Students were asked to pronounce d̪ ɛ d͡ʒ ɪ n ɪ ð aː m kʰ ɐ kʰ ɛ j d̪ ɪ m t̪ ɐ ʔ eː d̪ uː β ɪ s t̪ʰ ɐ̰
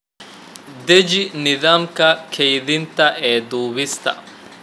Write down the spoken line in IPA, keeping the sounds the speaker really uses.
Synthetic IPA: d̪ ɛ d͡ʒ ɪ n ɪ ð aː m k ɐ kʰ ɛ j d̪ ɪ n t̪ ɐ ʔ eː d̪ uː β ɪ s t̪ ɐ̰